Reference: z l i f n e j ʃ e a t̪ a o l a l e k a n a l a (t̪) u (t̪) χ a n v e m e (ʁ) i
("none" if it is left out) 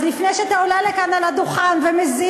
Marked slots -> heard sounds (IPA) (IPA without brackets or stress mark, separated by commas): d̪, none, z